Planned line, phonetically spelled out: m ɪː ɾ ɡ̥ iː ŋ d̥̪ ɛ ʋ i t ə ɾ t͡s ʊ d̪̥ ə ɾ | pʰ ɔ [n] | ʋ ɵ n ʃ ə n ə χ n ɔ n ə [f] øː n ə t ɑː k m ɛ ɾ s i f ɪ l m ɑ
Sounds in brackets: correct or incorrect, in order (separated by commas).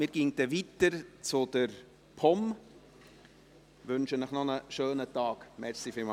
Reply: incorrect, incorrect